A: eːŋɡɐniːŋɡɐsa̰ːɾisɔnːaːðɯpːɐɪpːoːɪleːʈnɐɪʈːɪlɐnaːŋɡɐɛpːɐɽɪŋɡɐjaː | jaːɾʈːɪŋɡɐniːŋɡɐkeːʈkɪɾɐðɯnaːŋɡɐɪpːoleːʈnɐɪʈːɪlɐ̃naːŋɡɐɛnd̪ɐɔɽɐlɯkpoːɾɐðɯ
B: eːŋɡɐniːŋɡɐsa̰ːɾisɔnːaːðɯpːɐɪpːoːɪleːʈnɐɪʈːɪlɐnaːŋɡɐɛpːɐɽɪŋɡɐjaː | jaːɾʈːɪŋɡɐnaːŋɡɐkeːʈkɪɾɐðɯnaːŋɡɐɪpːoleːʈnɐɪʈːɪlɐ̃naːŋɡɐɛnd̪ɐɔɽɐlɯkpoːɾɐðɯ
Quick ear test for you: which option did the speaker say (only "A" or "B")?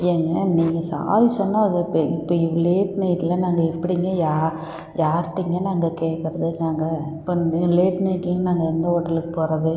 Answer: B